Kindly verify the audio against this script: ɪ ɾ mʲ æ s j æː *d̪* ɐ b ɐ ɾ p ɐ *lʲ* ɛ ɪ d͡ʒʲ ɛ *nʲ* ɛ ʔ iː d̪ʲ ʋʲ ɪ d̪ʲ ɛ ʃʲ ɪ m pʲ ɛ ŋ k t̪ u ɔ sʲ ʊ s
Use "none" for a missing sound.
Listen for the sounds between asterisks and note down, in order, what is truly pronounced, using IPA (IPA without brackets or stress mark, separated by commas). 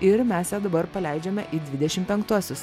d̪, lʲ, mʲ